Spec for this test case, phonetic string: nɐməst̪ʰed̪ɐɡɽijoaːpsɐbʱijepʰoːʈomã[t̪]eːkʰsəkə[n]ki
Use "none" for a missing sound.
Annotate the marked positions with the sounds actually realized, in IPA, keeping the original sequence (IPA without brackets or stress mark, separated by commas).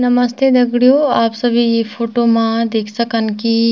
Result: d̪, n